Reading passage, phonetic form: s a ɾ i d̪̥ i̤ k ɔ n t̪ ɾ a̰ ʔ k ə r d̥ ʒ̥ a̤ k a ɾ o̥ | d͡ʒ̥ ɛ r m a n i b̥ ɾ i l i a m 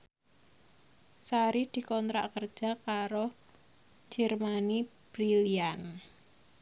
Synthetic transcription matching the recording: s a ɾ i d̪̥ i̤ k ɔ n t̪ ɾ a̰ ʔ k ə r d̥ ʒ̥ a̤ k a ɾ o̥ | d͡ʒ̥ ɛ r m a n i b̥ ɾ i l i a n

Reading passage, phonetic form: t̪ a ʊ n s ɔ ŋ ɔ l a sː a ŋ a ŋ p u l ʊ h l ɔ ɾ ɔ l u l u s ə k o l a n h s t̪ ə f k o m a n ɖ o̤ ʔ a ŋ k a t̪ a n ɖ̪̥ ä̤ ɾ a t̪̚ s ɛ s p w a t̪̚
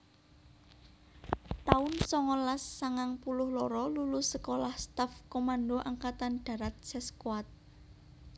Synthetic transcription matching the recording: t̪ a ʊ n s ɔ ŋ ɔ l a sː a ŋ a ŋ p u l ʊ h l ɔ ɾ ɔ l u l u s ə k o l a h s t̪ a f k o m a n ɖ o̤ ʔ a ŋ k a t̪ a n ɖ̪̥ ä̤ ɾ a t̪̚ s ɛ s k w a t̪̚

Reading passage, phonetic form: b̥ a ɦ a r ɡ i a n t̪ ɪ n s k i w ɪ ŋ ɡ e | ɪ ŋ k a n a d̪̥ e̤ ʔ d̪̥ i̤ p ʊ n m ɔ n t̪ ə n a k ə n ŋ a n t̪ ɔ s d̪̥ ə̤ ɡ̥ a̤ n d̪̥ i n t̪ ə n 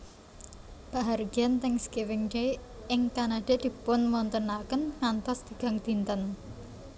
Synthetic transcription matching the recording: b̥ a ɦ a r ɡ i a n t̪ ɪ ŋ s k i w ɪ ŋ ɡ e | ɪ ŋ k a n a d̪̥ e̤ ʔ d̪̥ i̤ p ʊ n m ɔ n t̪ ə n a k ə n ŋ a n t̪ ɔ s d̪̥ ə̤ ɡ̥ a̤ ŋ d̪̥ i n t̪ ə n

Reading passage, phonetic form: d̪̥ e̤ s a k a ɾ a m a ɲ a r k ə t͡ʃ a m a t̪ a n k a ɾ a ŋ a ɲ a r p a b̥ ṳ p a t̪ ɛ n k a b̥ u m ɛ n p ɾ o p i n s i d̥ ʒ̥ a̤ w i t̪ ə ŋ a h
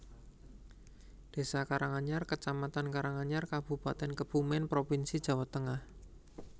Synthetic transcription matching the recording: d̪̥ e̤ s a k a ɾ a ŋ a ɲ a r k ə t͡ʃ a m a t̪ a n k a ɾ a ŋ a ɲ a r k a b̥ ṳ p a t̪ ɛ n k ə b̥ u m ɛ n p ɾ o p i n s i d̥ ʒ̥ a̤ w a t̪ ə ŋ a h

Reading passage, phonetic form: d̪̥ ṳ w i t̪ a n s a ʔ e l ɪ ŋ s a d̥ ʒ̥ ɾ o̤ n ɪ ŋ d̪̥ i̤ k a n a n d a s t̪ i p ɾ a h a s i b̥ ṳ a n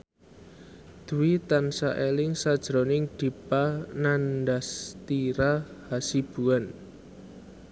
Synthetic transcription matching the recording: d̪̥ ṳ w i t̪ a n s a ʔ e l ɪ ŋ s a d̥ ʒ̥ ɾ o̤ n ɪ ŋ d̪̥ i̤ p a n a n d a s t̪ i ɾ a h a s i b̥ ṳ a n

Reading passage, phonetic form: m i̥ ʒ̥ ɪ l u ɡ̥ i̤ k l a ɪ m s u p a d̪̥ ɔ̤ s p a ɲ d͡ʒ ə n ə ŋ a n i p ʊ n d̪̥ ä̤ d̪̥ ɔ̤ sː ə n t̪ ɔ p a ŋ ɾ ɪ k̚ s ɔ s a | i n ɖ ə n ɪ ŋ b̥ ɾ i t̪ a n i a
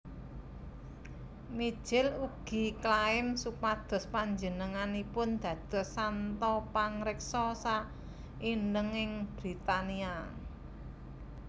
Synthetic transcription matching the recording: m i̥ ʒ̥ ɪ l u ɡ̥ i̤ k l a ɪ m s u p a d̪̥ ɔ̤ s p a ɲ d͡ʒ ə n ə ŋ a n i p ʊ n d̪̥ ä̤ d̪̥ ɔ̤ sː a n t̪ ɔ p a ŋ ɾ ɪ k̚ s ɔ s a | i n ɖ ə ŋ ɪ ŋ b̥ ɾ i t̪ a n i a

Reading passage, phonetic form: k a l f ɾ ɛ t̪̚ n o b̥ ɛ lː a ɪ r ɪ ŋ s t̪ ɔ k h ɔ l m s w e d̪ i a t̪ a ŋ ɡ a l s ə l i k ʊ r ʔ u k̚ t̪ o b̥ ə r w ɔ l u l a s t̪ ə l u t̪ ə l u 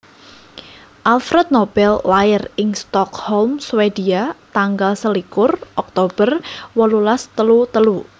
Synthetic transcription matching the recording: ʔ a l f ɾ ɛ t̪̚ n o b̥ ɛ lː a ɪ r ɪ ŋ s t̪ ɔ k h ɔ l m s w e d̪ i a t̪ a ŋ ɡ a l s ə l i k ʊ r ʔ ɔ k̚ t̪ o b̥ ə r w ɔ l u l a s t̪ ə l u t̪ ə l u

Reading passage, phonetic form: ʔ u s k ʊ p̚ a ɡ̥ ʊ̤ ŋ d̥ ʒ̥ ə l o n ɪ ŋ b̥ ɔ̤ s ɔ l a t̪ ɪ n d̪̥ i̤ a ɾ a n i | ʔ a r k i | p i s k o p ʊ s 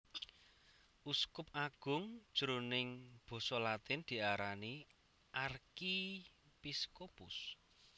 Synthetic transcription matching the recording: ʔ u s k ʊ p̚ a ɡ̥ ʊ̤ ŋ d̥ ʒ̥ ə ɾ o n ɪ ŋ b̥ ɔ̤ s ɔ l a t̪ ɪ n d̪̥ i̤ a ɾ a n i | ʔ a r k i | p i s k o p ʊ s

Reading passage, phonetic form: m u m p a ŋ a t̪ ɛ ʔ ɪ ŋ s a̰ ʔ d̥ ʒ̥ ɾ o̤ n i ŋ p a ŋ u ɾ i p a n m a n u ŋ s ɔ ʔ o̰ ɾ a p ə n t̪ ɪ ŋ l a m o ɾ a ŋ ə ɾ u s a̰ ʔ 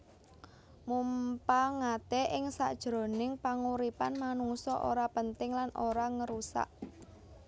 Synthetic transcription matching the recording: m u m p a ŋ a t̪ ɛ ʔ ɪ ŋ s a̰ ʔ d̥ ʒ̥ ɾ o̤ n ɪ ŋ p a ŋ u ɾ i p a n m a n u ŋ s ɔ ʔ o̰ ɾ a p ə n t̪ ɪ ŋ l a n o ɾ a ŋ ə ɾ u s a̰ ʔ

